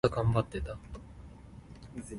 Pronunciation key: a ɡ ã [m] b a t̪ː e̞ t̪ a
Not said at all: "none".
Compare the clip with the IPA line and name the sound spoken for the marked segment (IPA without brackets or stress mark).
m